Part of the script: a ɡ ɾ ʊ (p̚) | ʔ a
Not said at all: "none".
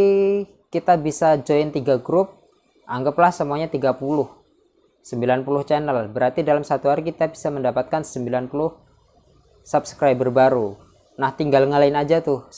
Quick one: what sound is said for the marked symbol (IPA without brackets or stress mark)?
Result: p̚